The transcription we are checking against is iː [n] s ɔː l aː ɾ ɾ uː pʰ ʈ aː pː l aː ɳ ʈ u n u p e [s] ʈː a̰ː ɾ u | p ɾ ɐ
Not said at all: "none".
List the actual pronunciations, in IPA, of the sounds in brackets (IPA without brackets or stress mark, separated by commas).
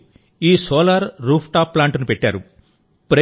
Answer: none, none